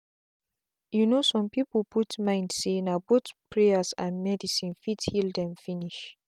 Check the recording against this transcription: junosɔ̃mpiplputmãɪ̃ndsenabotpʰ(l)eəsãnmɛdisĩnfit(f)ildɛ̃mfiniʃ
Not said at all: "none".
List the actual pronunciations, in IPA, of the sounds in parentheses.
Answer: ɹ, h

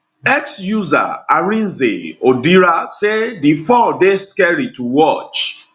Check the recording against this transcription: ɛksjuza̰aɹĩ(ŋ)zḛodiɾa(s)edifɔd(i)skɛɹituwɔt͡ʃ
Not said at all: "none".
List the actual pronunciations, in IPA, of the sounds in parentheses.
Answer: n, s, e

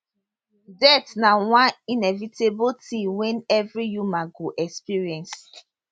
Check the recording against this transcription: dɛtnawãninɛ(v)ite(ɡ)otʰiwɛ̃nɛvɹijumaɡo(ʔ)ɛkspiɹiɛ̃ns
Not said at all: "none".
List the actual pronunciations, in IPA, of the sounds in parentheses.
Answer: v, b, ʔ

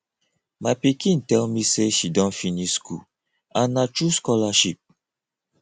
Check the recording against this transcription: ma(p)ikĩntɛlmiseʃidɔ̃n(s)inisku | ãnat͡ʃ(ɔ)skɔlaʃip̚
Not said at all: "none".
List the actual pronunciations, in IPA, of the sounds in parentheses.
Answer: p, f, u

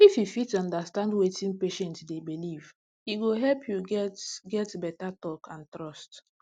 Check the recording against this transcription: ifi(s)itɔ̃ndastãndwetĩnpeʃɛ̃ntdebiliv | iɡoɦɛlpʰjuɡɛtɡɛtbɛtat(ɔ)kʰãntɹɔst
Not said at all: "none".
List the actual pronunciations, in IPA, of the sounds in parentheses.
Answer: f, ɔ

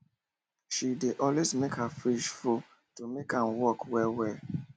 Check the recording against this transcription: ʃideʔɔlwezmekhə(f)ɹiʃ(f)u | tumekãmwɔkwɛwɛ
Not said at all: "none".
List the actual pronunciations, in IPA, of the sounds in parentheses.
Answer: f, f

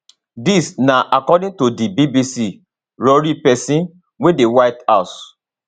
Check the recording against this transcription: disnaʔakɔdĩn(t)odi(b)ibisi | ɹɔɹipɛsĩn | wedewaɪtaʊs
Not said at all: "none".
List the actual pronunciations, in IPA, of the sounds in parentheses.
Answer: t, b

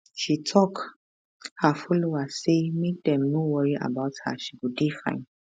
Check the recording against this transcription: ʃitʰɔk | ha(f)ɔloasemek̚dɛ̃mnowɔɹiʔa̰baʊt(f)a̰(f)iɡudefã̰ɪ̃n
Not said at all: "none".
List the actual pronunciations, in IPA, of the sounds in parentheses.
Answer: f, h, ʃ

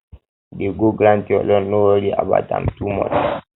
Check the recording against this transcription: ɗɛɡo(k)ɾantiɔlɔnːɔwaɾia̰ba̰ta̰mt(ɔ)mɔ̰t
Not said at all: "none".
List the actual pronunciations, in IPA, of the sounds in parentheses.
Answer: ɡ, u

